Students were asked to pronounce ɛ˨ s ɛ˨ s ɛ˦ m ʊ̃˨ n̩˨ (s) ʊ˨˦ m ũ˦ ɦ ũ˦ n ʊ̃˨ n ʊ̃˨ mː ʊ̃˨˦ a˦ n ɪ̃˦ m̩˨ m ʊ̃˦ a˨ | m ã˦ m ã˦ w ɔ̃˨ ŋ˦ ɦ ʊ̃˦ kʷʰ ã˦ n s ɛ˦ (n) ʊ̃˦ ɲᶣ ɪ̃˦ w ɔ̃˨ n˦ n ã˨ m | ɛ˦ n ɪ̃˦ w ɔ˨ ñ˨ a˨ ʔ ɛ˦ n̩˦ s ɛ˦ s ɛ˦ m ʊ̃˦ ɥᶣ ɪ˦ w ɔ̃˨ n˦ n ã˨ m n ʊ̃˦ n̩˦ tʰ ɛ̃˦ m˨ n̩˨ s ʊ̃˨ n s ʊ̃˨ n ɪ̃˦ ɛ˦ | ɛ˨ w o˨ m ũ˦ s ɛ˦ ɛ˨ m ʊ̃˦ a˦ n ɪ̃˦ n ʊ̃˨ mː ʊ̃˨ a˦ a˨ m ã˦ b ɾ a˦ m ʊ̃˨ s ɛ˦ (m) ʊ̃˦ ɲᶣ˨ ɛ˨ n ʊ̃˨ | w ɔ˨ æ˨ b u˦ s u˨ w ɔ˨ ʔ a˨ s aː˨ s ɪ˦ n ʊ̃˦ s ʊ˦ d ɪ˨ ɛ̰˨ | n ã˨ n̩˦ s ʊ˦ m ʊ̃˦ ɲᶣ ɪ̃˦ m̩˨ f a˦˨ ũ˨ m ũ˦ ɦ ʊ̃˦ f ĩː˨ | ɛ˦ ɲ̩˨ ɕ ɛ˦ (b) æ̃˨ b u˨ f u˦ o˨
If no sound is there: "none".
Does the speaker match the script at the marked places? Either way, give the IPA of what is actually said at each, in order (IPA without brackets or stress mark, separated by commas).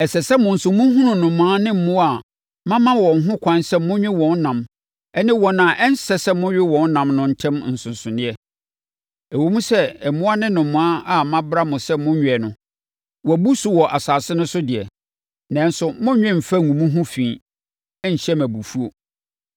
s, m, m, m